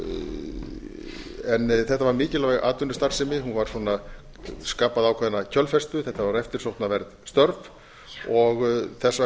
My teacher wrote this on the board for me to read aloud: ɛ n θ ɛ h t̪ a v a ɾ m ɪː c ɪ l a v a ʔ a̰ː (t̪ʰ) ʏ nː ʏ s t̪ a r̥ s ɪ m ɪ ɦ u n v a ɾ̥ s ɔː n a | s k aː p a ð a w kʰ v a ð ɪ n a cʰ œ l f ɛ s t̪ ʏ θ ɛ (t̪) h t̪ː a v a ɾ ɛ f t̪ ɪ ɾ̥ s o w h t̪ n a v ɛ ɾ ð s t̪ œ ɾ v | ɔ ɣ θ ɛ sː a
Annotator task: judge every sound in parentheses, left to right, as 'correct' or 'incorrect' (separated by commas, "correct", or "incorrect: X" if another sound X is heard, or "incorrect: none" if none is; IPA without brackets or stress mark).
incorrect: t̪, incorrect: none